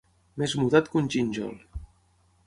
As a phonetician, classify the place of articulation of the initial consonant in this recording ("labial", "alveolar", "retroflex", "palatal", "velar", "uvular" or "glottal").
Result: labial